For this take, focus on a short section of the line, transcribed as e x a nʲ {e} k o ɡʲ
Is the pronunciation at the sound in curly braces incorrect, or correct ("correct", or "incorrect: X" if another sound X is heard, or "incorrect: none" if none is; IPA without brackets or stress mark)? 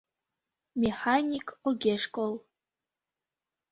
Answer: incorrect: i